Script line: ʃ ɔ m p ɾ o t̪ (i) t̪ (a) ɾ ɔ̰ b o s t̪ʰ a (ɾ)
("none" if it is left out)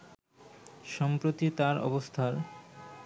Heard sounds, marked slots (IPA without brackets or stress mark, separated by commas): i, a, ɾ